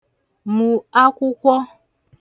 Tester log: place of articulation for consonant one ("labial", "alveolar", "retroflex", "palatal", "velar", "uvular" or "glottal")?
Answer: labial